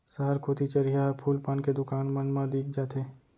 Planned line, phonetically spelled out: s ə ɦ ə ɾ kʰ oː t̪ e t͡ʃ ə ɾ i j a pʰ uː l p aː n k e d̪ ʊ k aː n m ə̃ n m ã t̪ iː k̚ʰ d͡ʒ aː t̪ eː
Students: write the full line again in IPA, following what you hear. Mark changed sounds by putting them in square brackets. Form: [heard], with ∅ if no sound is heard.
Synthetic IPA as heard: s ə ɦ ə ɾ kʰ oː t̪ [i] t͡ʃ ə ɾ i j a pʰ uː l p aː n k e d̪ ʊ k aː n m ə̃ n m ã [d̪] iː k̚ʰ d͡ʒ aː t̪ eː